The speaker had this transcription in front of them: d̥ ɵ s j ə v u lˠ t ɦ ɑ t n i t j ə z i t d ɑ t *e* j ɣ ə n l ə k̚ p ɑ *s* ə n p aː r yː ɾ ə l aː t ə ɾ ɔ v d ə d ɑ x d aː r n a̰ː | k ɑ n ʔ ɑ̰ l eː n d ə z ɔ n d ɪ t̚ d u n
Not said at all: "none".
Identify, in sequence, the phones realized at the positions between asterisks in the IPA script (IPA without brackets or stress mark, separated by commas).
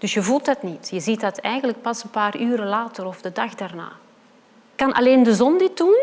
ɛ, s